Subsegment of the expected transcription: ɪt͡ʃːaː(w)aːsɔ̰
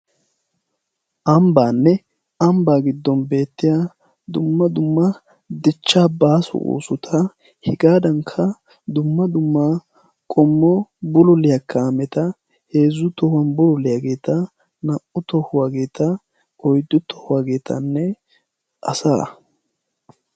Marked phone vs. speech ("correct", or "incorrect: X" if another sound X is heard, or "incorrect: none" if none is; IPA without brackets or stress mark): incorrect: b